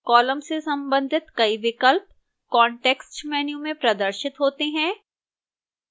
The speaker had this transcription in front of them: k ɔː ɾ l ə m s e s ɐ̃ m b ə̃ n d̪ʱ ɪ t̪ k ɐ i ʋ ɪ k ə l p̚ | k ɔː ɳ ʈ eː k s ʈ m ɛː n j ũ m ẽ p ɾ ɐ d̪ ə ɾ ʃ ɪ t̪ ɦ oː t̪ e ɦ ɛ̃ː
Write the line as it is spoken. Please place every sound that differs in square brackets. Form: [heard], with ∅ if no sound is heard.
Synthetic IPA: k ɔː [∅] l ə m s e s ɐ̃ m b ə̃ n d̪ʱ ɪ t̪ k ɐ i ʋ ɪ k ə l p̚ | k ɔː ɳ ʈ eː k s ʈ m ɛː n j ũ m ẽ p ɾ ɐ d̪ ə ɾ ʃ ɪ t̪ ɦ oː t̪ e ɦ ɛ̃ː